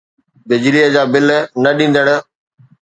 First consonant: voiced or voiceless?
voiced